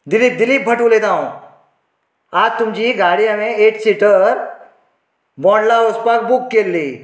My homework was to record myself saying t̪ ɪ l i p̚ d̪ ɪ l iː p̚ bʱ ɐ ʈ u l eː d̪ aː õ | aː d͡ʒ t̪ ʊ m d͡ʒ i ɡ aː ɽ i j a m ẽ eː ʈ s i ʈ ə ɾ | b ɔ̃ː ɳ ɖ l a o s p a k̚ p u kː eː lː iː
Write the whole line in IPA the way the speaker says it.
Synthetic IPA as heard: d̪ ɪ l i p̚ d̪ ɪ l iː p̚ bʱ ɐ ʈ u l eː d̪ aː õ | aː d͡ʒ t̪ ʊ m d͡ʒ i ɡ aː ɽ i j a m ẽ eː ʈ s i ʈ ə ɾ | b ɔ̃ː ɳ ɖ l a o s p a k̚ b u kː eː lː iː

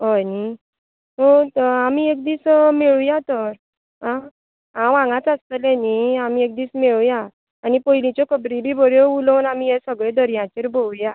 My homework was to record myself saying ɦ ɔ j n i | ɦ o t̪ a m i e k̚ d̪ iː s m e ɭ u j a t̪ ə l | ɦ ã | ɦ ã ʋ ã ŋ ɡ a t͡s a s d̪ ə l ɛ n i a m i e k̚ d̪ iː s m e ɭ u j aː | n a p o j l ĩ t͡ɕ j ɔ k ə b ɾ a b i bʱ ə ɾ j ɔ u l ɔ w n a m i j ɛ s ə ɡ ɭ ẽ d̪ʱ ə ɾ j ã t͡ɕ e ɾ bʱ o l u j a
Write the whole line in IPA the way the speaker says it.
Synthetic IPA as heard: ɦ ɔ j n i | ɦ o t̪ a m i e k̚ d̪ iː s m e ɭ u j a t̪ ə ɾ | ɦ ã | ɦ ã ʋ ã ŋ ɡ a t͡s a s t̪ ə l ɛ n i a m i e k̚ d̪ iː s m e ɭ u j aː | n i p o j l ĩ t͡ɕ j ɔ k ə b ɾ i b i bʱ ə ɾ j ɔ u l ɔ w n a m i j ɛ s ə ɡ ɭ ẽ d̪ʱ ə ɾ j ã t͡ɕ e ɾ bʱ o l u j a

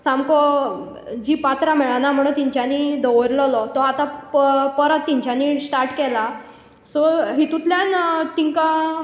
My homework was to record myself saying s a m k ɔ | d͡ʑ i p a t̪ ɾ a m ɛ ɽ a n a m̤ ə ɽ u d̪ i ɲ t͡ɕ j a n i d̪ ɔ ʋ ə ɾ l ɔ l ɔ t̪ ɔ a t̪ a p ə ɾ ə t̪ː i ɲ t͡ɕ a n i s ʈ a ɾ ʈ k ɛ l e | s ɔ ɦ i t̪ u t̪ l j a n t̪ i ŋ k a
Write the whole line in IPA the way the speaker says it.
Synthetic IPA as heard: s a m k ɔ | d͡ʑ i p a t̪ ɾ a m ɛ ɭ a n a m̤ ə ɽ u t̪ i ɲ t͡ɕ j a n i d̪ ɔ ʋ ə ɾ l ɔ l ɔ t̪ ɔ a t̪ a p ə ɾ ə t̪ː i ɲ t͡ɕ a n i s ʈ a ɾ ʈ k ɛ l a | s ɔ ɦ i t̪ u t̪ l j a n t̪ i ŋ k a

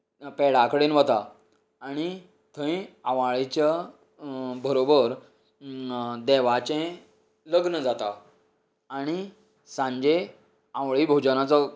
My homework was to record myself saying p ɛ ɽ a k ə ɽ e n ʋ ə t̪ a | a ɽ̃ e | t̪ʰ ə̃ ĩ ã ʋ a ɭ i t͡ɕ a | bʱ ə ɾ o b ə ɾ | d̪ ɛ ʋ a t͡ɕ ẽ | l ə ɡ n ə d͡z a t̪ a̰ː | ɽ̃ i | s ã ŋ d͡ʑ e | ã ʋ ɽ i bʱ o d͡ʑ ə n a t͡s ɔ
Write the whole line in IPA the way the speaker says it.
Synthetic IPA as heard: p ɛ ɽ a k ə ɽ e n ʋ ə t̪ a | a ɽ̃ i | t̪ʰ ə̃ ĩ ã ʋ a ɭ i t͡ɕ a | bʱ ə ɾ o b ə ɾ | d̪ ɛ ʋ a t͡ɕ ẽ | l ə ɡ n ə d͡z a t̪ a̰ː | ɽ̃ i | s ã ɲ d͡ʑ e | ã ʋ ɭ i bʱ o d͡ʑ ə n a t͡s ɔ

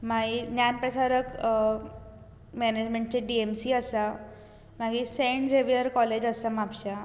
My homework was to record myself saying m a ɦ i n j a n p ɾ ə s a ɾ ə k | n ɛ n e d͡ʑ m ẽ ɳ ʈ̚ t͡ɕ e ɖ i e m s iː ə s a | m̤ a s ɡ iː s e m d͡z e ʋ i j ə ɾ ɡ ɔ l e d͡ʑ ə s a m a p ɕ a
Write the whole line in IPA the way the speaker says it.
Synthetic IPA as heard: m a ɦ i n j a n p ɾ ə s a ɾ ə k | m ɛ n e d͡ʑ m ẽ ɳ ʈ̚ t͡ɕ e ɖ i e m s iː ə s a | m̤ a ɡ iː s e ɳ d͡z e ʋ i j ə ɾ k ɔ l e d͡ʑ ə s a m a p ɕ a

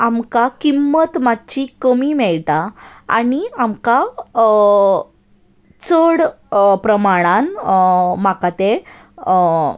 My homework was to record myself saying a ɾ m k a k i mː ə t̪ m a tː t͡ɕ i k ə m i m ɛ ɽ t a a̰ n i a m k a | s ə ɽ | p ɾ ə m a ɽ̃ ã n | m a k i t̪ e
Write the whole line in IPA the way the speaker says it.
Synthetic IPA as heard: a m k a k i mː ə t̪ m a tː t͡ɕ i k ə m i m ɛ ɭ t a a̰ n i a m k a | t͡s ə ɽ | p ɾ ə m a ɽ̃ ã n | m a k a t̪ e

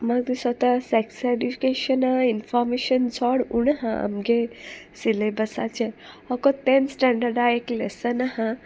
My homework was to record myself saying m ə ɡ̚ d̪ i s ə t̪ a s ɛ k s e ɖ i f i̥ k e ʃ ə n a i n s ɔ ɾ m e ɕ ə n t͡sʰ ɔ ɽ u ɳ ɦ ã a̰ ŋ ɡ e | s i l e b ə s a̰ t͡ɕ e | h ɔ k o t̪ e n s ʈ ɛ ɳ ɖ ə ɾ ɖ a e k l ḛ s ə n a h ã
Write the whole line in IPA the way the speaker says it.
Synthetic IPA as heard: m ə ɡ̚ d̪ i s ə t̪ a s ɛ k s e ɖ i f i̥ k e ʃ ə n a i n f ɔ ɾ m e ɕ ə n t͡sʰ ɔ ɽ u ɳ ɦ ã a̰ m ɡ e | s i l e b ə s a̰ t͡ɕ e | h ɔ k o t̪ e n s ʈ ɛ ɳ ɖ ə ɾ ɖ a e k l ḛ s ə n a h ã

